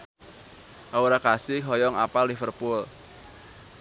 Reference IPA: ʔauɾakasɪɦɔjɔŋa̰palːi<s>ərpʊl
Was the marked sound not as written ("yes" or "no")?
yes